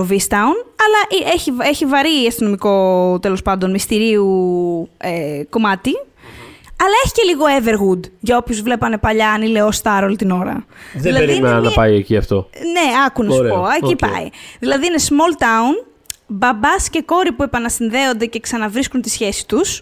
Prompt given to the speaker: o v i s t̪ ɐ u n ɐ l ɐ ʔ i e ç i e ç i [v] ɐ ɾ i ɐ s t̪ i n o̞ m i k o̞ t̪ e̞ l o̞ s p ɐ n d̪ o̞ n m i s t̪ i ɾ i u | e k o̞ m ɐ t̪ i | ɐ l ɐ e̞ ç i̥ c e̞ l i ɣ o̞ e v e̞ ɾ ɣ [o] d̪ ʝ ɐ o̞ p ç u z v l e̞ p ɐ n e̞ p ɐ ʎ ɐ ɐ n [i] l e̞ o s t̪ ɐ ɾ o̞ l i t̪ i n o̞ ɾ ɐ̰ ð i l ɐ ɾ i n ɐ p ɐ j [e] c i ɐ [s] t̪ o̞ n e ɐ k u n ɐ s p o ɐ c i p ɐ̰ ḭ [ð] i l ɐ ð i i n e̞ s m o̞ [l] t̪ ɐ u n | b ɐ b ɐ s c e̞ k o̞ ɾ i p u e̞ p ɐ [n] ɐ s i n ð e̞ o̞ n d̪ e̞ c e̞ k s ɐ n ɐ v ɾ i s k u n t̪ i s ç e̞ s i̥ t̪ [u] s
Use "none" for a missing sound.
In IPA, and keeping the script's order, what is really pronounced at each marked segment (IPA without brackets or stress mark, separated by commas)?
v, u, i, e, f, ð, l, n, u